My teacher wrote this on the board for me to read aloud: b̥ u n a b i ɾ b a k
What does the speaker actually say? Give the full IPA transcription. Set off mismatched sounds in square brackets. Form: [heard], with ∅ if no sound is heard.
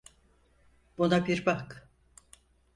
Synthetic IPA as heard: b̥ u n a b i ɾ b a k